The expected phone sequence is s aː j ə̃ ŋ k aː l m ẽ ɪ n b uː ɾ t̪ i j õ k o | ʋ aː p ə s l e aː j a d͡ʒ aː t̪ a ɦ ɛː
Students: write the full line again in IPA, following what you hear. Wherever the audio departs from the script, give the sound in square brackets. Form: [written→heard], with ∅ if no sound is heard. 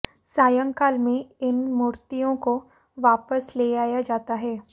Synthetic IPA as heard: s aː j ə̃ ŋ k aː l m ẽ ɪ n [b→m] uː ɾ t̪ i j õ k o | ʋ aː p ə s l e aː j a d͡ʒ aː t̪ a ɦ ɛː